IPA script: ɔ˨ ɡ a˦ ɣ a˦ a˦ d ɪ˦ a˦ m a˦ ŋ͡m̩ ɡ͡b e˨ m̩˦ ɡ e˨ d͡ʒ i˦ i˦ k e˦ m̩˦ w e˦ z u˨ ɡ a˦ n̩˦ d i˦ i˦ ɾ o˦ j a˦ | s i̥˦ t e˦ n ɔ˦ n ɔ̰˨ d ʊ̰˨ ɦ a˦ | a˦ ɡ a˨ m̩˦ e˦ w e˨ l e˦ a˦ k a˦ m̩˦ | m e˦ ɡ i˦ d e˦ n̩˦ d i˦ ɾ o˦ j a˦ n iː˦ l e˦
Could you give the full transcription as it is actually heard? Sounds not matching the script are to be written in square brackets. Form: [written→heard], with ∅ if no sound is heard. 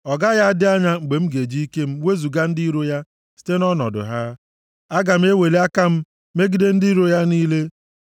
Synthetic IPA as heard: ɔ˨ ɡ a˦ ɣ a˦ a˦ d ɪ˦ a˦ [m→ɲ] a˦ ŋ͡m̩ ɡ͡b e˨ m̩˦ ɡ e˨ d͡ʒ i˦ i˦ k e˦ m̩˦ w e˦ z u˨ ɡ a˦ n̩˦ d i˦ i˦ ɾ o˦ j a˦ | s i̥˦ t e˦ n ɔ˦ n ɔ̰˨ d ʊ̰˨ ɦ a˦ | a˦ ɡ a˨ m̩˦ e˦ w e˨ l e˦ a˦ k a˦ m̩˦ | m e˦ ɡ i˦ d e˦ n̩˦ d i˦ ɾ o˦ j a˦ n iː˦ l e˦

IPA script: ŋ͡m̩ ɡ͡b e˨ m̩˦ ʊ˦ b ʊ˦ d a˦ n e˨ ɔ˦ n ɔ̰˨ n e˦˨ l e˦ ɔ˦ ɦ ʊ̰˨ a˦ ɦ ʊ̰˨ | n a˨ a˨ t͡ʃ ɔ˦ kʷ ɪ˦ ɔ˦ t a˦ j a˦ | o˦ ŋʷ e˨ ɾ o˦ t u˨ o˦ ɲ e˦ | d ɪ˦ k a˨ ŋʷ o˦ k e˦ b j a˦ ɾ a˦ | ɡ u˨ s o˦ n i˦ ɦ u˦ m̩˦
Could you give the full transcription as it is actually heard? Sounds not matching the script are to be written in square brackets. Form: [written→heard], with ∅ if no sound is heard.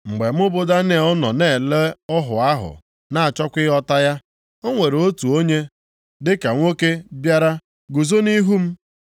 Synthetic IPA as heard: ŋ͡m̩ ɡ͡b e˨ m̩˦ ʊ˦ b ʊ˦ d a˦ n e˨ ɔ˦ n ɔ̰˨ n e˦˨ l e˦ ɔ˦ ɦ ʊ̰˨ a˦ ɦ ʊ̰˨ | n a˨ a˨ t͡ʃ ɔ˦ kʷ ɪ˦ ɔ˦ t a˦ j a˦ | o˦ ŋʷ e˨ ɾ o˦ t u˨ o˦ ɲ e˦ | d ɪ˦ k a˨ ŋʷ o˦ k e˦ b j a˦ ɾ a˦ | ɡ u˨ [s→z] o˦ n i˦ ɦ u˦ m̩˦

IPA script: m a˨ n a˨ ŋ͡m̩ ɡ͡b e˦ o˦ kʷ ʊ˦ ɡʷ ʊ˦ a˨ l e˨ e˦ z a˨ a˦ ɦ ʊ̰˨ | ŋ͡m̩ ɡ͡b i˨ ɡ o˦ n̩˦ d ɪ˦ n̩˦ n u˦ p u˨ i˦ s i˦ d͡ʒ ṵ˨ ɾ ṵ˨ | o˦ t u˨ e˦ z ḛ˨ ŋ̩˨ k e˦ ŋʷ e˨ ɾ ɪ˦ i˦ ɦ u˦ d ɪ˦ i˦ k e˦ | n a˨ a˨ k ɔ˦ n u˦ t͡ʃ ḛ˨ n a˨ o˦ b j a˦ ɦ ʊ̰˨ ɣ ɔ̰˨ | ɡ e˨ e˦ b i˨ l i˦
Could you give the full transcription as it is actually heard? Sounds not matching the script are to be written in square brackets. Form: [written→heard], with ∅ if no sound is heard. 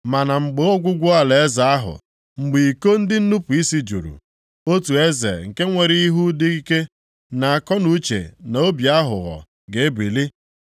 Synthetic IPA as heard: m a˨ n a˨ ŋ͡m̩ ɡ͡b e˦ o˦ [kʷ→ɡʷ] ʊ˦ ɡʷ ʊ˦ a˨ l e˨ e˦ z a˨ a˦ ɦ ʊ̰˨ | ŋ͡m̩ ɡ͡b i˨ [ɡ→k] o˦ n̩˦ d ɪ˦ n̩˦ n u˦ p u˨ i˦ s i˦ d͡ʒ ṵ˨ ɾ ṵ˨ | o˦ t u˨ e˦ z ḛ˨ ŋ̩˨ k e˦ ŋʷ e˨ ɾ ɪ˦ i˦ ɦ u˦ d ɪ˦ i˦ k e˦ | n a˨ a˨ k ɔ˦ n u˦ t͡ʃ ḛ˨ n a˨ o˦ b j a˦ ɦ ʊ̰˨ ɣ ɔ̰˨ | ɡ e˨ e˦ b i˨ l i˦

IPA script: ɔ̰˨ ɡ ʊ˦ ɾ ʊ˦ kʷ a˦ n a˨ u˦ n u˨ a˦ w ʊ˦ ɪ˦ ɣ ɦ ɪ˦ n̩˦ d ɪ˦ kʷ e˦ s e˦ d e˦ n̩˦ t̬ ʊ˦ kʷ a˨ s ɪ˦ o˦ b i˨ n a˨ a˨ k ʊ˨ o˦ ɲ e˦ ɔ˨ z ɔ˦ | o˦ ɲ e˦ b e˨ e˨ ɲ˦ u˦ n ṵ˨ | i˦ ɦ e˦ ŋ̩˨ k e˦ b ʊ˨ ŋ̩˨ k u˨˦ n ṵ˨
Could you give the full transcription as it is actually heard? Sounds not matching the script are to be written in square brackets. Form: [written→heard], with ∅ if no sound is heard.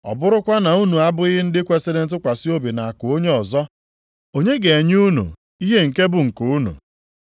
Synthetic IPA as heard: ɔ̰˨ [ɡ→b] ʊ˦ ɾ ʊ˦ kʷ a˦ n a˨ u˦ n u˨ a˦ [w→b] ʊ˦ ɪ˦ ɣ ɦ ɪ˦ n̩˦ d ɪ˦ kʷ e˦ s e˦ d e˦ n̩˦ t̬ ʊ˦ kʷ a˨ s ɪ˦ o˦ b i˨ n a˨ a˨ k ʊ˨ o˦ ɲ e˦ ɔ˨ z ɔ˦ | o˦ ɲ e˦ [b→ɡ] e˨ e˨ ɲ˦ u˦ n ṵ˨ | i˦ ɦ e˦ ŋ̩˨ k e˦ b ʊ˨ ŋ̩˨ k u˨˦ n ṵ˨

